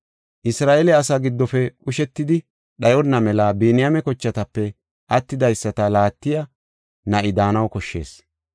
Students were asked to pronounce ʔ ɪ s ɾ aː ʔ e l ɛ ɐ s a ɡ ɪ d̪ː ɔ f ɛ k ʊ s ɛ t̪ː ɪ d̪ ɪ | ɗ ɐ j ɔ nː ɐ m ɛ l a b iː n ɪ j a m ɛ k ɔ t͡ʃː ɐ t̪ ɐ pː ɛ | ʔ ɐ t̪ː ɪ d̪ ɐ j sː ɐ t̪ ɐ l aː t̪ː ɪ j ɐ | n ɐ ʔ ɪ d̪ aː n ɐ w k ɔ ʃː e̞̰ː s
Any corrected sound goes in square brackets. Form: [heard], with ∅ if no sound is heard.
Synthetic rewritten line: ʔ ɪ s ɾ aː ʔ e l ɛ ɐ s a ɡ ɪ d̪ː ɔ f ɛ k ʊ [ʃ] ɛ t̪ː ɪ d̪ ɪ | ɗ ɐ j ɔ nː ɐ m ɛ l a b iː n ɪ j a m ɛ k ɔ t͡ʃː ɐ t̪ ɐ pː ɛ | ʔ ɐ t̪ː ɪ d̪ ɐ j sː ɐ t̪ ɐ l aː t̪ː ɪ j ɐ | n ɐ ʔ ɪ d̪ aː n ɐ w k ɔ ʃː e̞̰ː s